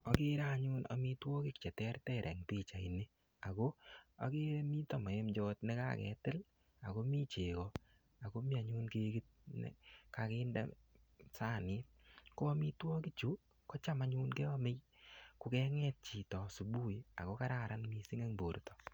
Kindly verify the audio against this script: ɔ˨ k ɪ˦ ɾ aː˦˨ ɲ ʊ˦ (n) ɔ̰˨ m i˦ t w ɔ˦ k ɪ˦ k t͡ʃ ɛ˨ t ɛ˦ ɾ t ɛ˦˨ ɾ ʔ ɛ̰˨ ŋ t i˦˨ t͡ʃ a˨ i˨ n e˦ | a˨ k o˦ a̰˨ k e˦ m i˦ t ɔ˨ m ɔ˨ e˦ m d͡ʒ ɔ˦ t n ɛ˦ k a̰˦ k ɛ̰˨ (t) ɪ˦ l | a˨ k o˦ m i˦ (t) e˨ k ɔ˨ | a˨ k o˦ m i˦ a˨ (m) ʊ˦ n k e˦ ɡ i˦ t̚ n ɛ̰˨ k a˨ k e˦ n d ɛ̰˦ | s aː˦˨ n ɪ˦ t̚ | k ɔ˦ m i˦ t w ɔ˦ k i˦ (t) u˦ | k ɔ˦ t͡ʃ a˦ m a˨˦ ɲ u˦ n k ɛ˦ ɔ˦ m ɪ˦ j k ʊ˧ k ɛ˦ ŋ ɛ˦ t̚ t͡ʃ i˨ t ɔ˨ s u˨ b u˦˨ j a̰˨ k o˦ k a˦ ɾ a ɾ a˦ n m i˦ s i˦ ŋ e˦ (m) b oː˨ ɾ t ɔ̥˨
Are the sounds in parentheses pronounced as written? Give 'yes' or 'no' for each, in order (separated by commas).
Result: yes, yes, no, no, no, no